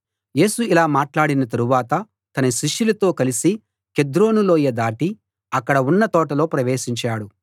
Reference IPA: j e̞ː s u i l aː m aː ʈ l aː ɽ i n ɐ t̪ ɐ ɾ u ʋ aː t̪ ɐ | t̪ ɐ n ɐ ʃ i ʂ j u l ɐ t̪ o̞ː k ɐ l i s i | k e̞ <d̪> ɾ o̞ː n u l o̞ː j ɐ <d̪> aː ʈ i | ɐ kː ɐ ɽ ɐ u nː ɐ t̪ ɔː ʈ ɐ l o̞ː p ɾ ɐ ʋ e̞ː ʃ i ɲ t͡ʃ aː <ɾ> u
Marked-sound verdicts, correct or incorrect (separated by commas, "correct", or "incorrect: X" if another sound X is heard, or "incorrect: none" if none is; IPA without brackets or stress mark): correct, correct, incorrect: ɽ